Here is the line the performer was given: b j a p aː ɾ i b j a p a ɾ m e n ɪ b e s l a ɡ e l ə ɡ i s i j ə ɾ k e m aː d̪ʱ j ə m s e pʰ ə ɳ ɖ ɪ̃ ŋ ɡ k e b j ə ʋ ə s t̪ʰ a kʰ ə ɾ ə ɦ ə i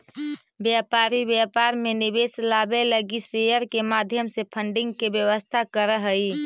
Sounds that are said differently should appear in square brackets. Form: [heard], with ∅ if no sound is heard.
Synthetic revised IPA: b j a p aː ɾ i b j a p a ɾ m e n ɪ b e s l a [b] e l ə ɡ i s [e] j ə ɾ k e m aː d̪ʱ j ə m s e pʰ ə ɳ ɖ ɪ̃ ŋ ɡ k e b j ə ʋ ə s t̪ʰ a [k] ə ɾ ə ɦ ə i